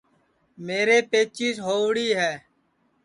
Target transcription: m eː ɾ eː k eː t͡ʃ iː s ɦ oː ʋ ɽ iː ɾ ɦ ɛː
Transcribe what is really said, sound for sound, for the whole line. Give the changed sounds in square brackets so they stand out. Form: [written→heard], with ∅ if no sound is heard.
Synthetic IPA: m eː ɾ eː [k→p] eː t͡ʃ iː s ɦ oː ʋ ɽ iː [ɾ→∅] ɦ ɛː